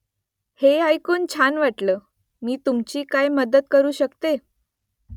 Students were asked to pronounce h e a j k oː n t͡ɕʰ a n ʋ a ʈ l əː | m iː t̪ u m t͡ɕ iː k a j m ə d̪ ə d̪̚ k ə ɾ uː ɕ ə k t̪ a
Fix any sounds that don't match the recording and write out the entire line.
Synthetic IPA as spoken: h e a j k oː n t͡ɕʰ a n ʋ a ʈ l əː | m iː t̪ u m t͡ɕ iː k a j m ə d̪ ə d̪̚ k ə ɾ uː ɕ ə k t̪ e